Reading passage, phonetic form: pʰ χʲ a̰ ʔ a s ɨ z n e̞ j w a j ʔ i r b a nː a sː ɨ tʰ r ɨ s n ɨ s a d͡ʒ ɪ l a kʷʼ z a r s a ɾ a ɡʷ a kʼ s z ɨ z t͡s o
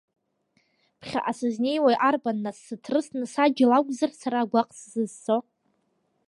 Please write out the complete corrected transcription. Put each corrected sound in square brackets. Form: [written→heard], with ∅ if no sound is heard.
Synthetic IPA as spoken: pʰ χʲ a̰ ʔ a s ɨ z n e̞ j w a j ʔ [i→a] r b a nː a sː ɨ tʰ r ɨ s n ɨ s a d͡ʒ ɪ l a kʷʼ z a r s a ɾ a ɡʷ a [kʼ→qʼ] s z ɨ z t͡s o